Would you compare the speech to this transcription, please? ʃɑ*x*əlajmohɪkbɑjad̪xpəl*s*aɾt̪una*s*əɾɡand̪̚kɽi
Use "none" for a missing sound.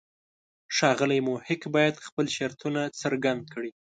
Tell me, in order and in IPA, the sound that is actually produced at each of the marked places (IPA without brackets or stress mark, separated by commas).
ɣ, ʃ, t͡s